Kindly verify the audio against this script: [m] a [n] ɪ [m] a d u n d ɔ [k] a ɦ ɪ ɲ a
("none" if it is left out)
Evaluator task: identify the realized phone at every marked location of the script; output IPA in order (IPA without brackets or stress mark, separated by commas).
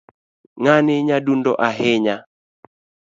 ŋ, n, ɲ, ʔ